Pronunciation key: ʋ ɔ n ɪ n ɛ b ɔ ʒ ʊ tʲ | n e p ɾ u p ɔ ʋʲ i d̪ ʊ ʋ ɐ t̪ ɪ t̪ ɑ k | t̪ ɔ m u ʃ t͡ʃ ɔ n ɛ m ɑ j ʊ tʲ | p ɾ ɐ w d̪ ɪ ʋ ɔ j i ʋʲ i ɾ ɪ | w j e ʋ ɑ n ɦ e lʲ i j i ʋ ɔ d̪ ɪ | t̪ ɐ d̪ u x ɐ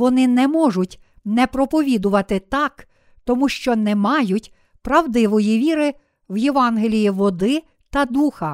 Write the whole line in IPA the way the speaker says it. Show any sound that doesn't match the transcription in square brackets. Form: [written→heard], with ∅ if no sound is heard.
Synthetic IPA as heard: ʋ ɔ n ɪ n ɛ [b→m] ɔ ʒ ʊ tʲ | n [e→ɛ] p ɾ [u→ɔ] p ɔ ʋʲ i d̪ ʊ ʋ ɐ t̪ ɪ t̪ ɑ k | t̪ ɔ m u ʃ t͡ʃ ɔ n ɛ m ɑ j ʊ tʲ | p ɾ ɐ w d̪ ɪ ʋ ɔ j i ʋʲ i ɾ ɪ | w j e ʋ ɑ n ɦ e lʲ i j i ʋ ɔ d̪ ɪ | t̪ ɐ d̪ u x ɐ